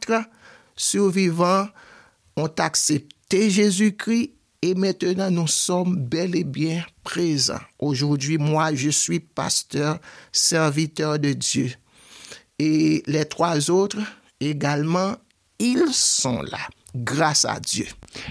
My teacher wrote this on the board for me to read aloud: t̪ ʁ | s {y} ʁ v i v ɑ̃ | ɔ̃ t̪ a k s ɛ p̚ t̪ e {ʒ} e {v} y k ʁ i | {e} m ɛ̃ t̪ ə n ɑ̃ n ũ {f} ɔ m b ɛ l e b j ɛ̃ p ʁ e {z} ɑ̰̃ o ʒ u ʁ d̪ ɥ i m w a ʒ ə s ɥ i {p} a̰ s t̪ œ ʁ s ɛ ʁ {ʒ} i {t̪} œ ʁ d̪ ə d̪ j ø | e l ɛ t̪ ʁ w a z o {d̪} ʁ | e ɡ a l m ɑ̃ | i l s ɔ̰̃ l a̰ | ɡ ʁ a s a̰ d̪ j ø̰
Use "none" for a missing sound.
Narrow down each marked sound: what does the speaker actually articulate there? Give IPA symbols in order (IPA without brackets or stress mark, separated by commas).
y, ʒ, z, e, s, z, p, v, t̪, t̪